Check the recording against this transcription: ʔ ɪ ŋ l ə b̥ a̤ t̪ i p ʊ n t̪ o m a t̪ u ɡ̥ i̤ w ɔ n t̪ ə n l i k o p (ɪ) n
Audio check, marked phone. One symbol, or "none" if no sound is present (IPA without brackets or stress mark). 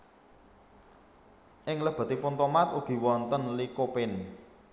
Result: ɪ